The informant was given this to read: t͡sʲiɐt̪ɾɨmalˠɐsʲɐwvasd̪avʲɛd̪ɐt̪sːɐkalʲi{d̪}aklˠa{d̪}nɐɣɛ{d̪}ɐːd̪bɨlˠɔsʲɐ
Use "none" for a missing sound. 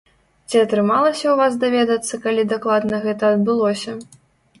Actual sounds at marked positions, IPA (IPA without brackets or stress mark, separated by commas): d̪, d̪, t̪